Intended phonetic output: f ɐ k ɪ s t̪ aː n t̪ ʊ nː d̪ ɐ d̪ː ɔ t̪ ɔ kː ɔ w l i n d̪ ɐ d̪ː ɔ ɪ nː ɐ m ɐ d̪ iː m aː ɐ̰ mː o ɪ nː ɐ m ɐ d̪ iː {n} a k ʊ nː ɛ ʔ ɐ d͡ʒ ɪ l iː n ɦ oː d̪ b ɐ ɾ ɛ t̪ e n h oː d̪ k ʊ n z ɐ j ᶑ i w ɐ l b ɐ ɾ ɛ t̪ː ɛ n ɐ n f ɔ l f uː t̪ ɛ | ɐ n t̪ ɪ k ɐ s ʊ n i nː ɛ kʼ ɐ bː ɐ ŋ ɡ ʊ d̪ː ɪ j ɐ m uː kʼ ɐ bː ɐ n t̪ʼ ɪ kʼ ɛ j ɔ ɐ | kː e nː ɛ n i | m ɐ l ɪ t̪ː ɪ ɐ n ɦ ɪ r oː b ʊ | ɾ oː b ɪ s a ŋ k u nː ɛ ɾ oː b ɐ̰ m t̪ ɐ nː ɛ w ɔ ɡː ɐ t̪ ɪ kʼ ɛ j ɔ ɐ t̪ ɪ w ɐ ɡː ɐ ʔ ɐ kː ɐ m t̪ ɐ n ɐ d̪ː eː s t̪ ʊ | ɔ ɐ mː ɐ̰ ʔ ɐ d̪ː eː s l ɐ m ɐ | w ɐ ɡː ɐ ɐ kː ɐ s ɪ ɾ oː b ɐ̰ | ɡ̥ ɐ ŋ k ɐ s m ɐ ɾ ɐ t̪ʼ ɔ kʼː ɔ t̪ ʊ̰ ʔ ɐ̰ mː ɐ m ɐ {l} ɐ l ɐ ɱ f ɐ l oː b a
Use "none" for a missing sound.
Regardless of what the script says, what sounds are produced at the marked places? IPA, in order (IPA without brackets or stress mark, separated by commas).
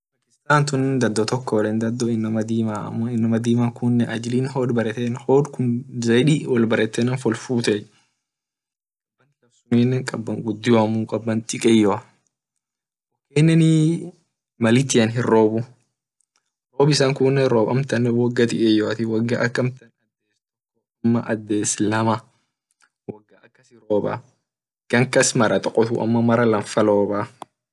m, ɾ